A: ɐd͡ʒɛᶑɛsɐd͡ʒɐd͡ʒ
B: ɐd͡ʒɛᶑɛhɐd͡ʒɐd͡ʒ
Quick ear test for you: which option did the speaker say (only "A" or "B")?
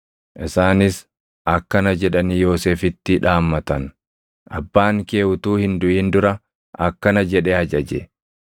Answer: B